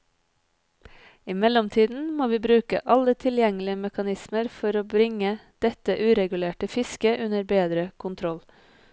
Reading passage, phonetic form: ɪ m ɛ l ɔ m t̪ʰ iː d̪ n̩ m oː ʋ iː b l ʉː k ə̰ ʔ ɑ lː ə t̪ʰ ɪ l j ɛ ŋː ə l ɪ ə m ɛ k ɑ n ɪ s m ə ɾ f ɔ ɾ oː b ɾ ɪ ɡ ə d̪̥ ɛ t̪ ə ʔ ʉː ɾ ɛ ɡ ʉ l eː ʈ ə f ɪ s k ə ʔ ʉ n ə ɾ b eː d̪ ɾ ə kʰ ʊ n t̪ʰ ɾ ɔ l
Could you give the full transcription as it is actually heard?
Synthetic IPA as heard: ɪ m ɛ l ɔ m t̪ʰ iː d̪ n̩ m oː ʋ iː b ɾ ʉː k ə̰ ʔ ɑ l ə t̪ʰ ɪ l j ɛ ŋ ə l ɪ ə m ɛ k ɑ n ɪ s m ə ɾ f ɔ ɾ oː b ɾ ɪ ŋ ə d̪̥ ɛ t̪ ə ʔ ʉː ɾ ɛ ɡ ʉ l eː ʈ ə f ɪ s k ə ʔ ʉ n ə ɾ b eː d̪ ɾ ə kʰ ʊ n t̪ʰ ɾ ɔ l